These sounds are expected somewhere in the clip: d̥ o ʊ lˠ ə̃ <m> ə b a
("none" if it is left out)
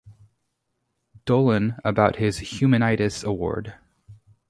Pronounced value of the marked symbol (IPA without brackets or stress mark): n